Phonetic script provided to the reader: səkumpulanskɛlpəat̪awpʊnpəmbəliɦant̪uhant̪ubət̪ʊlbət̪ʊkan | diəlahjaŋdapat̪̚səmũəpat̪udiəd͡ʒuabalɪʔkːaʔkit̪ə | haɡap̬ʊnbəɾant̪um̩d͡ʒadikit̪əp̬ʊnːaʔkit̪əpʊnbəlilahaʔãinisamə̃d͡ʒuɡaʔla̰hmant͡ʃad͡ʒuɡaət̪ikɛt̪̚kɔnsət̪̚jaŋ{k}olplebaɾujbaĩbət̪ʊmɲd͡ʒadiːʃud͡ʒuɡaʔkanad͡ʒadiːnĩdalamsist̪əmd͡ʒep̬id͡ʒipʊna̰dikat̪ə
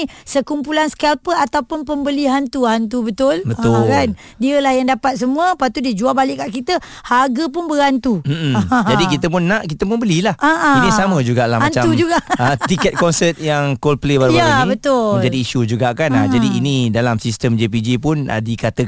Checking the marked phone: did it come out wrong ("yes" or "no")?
no